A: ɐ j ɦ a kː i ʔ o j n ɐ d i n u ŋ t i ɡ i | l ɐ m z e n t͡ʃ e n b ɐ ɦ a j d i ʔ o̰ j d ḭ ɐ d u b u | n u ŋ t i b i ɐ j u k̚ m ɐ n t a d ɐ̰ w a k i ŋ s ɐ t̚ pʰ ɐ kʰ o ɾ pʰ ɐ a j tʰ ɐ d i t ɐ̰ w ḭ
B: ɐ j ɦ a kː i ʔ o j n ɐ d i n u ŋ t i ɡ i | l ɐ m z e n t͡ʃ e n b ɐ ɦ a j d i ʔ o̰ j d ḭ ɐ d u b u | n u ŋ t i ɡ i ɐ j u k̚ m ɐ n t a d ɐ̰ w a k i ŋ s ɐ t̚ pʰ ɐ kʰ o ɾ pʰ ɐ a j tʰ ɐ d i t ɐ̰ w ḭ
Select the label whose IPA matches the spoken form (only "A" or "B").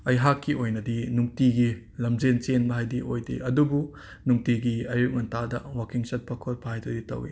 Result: B